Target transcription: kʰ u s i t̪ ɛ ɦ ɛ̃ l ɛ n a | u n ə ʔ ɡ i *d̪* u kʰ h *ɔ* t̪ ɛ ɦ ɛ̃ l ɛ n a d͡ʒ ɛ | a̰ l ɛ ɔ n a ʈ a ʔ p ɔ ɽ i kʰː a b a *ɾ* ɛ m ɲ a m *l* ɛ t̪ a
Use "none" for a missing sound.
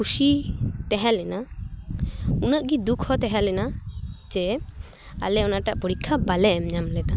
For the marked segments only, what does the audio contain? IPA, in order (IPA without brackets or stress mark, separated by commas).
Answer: d̪, ɔ, l, l